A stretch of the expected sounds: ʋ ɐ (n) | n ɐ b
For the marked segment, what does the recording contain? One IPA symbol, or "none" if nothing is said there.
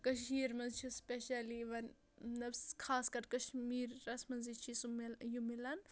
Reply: n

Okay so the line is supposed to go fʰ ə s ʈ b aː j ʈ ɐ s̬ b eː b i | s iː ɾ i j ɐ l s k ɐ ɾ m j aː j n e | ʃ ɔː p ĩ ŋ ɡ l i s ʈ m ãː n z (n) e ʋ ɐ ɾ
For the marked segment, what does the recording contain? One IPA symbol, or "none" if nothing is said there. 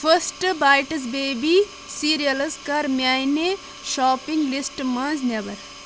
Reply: n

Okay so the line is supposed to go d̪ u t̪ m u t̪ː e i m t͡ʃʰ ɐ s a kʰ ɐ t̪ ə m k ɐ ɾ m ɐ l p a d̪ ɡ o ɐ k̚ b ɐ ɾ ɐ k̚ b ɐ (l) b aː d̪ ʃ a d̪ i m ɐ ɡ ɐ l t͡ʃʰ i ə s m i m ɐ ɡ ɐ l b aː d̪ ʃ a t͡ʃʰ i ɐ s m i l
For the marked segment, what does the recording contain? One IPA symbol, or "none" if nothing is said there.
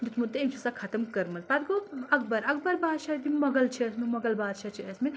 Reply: ɾ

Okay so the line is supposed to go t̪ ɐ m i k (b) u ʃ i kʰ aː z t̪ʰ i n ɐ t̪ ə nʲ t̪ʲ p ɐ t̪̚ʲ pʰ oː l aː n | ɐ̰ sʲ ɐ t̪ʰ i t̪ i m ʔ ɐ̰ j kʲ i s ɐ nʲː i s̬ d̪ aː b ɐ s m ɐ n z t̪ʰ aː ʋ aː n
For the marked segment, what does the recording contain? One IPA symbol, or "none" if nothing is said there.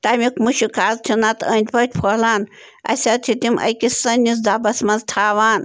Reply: m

